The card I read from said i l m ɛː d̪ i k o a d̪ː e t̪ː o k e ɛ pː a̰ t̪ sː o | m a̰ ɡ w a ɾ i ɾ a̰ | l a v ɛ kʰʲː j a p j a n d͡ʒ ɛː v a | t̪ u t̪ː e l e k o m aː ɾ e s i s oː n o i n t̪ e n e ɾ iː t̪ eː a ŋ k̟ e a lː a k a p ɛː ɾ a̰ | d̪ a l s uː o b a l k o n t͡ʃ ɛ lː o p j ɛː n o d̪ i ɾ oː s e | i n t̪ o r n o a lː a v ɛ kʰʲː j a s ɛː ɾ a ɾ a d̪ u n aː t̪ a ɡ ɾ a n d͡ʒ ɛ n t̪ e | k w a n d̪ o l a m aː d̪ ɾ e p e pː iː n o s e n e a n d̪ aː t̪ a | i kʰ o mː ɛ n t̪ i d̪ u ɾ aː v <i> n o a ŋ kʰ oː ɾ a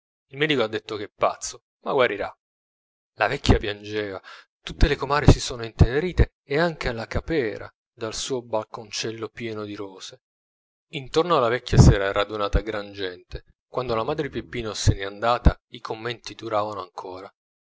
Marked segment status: incorrect: a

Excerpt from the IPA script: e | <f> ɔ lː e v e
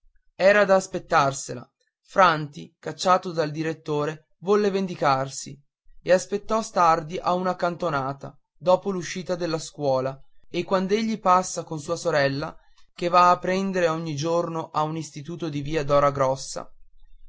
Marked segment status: incorrect: v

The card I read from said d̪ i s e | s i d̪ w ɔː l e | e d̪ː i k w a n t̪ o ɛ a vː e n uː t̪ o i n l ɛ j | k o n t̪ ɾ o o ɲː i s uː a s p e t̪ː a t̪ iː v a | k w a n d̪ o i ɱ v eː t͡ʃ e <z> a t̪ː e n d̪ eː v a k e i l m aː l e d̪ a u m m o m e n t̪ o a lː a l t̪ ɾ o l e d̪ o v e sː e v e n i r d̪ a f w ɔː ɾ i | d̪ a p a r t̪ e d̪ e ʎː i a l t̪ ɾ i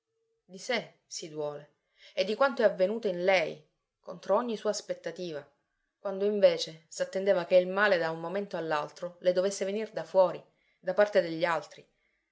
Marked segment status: incorrect: s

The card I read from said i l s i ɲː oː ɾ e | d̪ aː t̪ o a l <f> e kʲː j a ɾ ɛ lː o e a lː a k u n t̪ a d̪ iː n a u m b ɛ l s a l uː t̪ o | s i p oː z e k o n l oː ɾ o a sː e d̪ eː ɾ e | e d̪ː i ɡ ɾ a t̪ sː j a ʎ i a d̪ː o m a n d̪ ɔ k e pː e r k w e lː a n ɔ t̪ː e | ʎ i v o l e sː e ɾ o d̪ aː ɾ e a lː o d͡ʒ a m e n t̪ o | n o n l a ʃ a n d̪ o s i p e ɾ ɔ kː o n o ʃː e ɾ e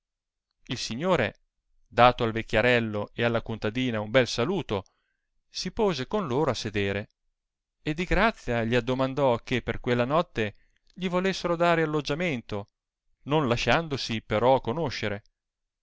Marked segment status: incorrect: v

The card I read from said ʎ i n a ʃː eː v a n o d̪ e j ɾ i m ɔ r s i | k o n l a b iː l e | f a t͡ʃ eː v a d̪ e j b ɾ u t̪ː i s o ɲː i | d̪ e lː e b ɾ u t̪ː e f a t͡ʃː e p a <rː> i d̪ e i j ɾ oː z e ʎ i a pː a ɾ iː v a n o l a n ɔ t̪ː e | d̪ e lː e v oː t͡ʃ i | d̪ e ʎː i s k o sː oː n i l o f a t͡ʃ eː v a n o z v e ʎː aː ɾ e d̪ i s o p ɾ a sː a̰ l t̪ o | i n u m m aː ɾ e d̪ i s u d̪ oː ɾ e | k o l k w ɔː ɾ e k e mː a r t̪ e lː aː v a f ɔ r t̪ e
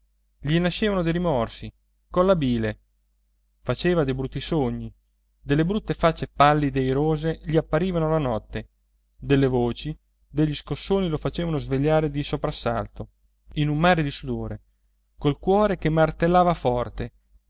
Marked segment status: incorrect: lː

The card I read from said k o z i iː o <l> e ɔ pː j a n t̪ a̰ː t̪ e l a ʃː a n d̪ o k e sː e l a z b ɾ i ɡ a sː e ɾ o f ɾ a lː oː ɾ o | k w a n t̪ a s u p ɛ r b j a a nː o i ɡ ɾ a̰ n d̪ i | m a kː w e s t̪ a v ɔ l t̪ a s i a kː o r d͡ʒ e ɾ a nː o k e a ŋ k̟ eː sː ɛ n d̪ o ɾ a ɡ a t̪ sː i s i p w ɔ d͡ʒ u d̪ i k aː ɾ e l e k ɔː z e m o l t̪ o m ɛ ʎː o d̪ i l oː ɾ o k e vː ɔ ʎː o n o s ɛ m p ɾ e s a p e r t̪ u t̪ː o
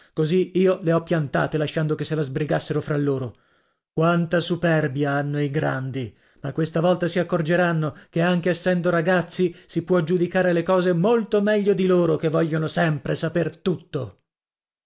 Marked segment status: correct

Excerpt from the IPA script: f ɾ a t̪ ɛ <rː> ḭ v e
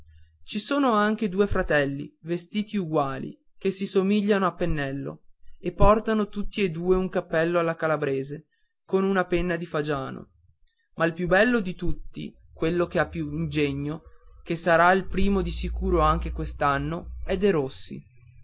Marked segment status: incorrect: lː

